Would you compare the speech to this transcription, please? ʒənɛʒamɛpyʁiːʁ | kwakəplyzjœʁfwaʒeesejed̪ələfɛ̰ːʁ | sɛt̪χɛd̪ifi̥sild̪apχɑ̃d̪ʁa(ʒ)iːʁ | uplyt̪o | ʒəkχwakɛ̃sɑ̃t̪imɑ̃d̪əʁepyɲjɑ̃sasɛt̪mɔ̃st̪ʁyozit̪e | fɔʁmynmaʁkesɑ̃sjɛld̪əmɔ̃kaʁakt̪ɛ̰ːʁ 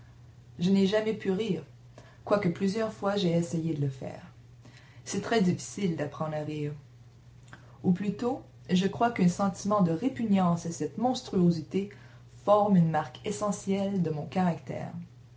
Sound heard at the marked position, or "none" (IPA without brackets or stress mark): ʁ